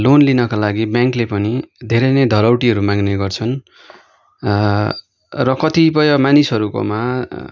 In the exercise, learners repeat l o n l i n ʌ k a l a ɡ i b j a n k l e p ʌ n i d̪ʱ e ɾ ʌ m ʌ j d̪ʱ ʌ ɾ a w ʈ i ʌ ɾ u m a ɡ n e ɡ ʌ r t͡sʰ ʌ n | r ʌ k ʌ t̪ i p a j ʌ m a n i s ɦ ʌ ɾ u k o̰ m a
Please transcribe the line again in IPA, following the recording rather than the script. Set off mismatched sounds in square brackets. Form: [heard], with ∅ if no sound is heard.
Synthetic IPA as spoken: l o n l i n ʌ k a l a ɡ i b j a [ŋ] k l e p ʌ n i d̪ʱ e ɾ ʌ [n] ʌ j d̪ʱ ʌ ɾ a w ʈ i ʌ ɾ u m a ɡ n e ɡ ʌ r t͡sʰ ʌ n | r ʌ k ʌ t̪ i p [ʌ] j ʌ m a n i s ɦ ʌ ɾ u k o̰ m a